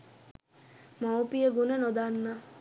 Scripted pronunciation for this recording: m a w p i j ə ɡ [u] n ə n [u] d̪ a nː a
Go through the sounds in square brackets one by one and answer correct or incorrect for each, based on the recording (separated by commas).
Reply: correct, incorrect